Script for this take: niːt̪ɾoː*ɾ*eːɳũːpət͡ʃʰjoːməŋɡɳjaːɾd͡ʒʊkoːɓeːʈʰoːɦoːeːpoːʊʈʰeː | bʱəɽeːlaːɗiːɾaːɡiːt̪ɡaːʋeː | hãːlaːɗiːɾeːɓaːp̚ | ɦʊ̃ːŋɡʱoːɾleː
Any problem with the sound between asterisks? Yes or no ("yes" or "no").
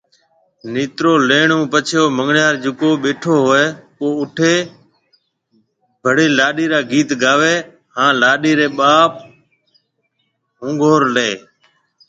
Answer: yes